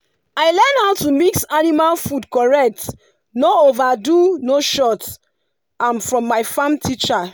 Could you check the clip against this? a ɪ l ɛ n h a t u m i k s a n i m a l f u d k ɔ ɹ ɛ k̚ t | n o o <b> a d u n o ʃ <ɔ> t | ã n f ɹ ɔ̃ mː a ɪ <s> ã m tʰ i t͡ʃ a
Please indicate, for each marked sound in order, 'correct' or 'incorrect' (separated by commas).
incorrect, correct, incorrect